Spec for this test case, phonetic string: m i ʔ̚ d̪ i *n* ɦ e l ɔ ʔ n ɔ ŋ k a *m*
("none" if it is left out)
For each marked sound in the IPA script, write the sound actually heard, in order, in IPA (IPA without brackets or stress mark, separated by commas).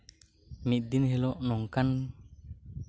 n, n